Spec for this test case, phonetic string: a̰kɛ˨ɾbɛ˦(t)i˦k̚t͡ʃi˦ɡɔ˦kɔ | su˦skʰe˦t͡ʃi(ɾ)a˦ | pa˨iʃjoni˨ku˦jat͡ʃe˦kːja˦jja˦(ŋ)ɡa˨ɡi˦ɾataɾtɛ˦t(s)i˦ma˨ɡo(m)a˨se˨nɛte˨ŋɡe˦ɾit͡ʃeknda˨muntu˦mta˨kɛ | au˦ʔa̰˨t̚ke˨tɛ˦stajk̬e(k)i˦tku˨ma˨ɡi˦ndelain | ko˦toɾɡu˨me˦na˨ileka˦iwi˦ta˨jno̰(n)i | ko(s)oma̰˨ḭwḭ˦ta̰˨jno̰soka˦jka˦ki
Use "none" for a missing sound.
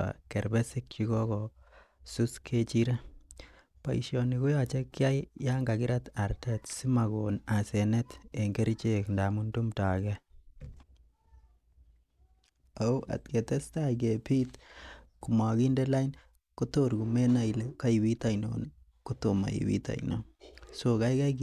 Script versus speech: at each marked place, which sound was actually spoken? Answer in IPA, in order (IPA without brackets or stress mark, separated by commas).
s, ɾ, ŋ, s, n, p, n, t